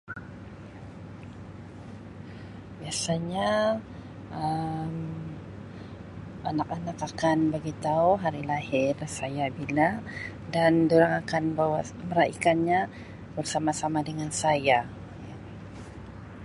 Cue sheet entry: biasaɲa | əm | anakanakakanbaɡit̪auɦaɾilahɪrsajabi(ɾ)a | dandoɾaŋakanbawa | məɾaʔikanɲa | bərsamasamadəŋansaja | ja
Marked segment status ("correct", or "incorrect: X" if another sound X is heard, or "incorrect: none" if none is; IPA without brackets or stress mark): incorrect: l